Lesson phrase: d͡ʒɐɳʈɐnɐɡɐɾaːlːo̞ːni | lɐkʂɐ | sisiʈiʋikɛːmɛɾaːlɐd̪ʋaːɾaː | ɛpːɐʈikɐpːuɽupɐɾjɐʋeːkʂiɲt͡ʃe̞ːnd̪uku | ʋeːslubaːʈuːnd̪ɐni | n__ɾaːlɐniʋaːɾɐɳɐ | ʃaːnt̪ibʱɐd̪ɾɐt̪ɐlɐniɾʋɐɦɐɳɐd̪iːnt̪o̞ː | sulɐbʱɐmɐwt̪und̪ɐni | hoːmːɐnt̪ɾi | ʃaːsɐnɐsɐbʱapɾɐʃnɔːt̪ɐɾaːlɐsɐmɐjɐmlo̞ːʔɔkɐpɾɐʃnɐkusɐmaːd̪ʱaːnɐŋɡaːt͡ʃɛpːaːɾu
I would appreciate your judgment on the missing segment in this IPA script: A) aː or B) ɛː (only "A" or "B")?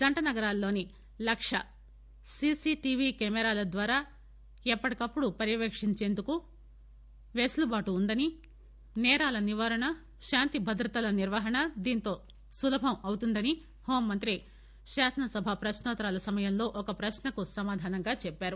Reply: B